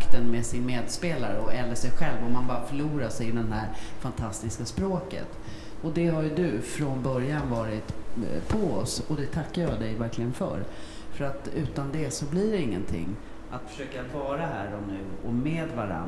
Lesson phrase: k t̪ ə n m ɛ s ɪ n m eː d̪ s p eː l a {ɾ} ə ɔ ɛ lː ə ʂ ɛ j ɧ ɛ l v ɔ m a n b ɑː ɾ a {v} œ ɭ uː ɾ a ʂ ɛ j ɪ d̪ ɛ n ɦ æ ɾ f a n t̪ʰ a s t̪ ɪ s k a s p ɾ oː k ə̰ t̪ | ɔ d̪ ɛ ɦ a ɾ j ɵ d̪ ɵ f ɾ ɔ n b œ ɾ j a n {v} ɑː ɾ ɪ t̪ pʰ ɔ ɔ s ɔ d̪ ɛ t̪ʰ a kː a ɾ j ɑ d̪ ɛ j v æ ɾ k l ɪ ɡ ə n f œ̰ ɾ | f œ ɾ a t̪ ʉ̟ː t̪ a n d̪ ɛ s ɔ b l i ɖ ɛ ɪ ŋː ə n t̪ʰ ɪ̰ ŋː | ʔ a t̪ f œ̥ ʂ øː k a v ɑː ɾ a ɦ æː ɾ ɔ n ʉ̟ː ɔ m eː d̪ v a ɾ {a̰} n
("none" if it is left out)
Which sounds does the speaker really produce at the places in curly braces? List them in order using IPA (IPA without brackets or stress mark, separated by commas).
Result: ɾ, f, v, a̰